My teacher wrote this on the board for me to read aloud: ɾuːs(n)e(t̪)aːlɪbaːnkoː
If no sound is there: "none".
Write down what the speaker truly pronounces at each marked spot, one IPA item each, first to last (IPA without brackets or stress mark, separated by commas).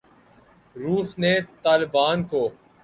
n, t̪